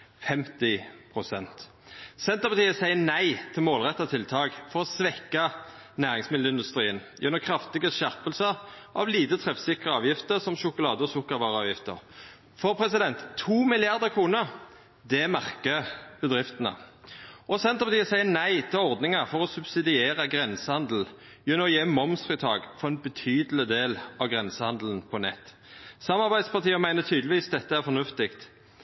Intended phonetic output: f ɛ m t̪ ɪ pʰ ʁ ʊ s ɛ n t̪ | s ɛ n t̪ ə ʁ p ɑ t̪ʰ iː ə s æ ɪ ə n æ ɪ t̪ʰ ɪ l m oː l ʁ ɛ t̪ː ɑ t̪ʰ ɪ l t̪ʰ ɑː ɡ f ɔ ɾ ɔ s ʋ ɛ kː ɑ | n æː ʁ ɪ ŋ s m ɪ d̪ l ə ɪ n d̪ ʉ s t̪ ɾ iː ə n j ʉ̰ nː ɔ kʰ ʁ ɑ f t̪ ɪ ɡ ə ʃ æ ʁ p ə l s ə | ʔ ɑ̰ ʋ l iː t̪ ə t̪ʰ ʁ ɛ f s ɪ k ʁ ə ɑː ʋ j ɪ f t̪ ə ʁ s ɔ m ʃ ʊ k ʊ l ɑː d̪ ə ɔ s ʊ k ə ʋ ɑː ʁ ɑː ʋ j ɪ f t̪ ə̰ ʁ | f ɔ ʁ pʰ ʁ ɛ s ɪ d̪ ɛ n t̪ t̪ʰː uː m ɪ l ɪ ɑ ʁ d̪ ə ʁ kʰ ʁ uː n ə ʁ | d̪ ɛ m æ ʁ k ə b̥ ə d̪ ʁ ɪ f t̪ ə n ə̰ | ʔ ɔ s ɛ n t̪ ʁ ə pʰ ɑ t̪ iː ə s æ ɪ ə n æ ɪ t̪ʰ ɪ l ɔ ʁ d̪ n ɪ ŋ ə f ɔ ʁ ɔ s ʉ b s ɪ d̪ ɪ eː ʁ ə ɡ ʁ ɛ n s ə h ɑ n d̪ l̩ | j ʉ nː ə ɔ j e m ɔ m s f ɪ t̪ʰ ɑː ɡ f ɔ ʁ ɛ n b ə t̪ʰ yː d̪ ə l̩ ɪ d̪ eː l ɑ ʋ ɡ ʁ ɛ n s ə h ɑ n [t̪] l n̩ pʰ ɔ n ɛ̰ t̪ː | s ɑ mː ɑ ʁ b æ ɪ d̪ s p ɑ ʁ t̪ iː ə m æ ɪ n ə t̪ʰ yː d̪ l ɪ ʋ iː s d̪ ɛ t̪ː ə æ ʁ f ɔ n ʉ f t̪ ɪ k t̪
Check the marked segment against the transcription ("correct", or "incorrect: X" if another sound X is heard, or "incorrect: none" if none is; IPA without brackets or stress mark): incorrect: d̪